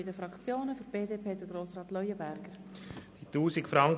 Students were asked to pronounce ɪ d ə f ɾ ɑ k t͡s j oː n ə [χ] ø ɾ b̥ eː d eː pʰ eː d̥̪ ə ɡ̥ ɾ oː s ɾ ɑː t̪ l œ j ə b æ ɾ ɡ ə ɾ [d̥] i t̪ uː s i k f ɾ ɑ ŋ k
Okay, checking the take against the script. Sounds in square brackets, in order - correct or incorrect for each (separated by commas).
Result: incorrect, correct